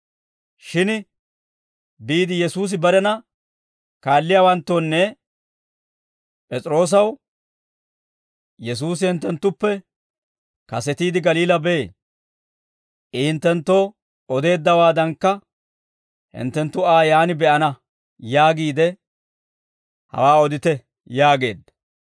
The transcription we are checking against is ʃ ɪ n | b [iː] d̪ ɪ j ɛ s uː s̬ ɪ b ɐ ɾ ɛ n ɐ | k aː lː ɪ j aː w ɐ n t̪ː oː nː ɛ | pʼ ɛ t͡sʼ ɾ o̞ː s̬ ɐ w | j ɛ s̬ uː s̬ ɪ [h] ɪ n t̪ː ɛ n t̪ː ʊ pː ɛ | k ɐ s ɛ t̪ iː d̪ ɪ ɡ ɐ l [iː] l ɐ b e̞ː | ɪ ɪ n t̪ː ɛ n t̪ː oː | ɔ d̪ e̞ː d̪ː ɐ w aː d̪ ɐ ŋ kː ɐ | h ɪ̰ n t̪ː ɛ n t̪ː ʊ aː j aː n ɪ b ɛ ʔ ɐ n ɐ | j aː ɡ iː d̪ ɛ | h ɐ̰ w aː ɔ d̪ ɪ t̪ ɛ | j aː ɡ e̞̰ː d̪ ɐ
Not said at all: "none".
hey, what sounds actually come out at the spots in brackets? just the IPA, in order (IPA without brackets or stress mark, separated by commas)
iː, h, iː